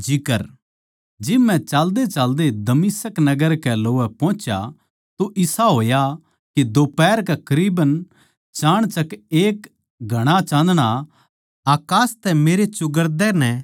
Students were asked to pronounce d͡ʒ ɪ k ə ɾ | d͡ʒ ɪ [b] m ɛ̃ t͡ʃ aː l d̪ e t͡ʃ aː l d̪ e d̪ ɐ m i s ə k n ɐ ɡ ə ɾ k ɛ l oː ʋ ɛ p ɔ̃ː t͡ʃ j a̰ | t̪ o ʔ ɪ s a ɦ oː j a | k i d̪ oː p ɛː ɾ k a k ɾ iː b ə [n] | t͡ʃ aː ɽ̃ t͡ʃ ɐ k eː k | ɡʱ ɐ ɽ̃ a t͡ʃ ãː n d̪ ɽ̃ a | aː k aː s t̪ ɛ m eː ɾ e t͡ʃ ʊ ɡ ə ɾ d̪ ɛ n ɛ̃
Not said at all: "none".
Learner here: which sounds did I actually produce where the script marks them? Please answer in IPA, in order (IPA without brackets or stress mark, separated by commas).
b, n